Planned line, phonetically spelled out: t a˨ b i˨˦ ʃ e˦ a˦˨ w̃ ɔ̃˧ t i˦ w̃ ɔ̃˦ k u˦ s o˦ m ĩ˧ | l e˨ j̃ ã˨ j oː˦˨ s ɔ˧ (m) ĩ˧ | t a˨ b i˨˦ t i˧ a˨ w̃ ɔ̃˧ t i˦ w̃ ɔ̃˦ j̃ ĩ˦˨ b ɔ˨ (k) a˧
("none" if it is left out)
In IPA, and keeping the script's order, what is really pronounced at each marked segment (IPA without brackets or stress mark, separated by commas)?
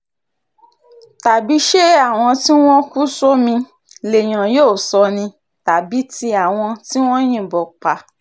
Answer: n, k͡p